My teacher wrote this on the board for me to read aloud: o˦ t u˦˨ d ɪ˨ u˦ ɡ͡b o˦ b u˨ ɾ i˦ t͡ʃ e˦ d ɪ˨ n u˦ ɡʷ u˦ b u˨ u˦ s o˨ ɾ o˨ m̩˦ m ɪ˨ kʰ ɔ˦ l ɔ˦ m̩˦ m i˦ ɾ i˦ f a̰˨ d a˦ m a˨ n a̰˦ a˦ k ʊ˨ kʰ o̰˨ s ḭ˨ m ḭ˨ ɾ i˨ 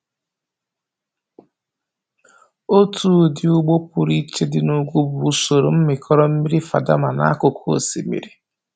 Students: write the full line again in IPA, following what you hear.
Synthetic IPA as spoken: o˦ t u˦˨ d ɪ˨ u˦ ɡ͡b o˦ p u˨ ɾ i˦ t͡ʃ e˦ d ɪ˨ n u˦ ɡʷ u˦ b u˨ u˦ s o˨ ɾ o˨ m̩˦ m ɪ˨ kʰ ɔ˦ ɾ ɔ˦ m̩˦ m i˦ ɾ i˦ f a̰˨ d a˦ m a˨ n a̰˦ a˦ k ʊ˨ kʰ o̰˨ s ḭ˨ m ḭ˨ ɾ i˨